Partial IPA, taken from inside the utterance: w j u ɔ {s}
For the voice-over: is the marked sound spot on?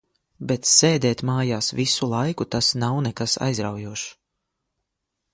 no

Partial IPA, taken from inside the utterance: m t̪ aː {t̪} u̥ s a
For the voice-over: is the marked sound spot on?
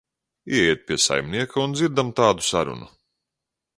no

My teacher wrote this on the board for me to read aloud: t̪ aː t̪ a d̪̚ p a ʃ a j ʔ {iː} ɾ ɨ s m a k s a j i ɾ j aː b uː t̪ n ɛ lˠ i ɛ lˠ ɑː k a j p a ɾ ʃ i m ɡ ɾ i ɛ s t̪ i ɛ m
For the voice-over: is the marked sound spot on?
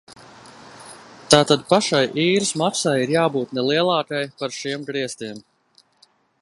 yes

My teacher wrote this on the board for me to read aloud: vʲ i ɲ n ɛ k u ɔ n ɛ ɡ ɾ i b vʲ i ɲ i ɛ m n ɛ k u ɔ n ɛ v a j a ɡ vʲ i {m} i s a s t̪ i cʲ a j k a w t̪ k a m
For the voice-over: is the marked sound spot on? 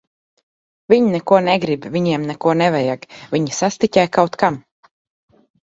no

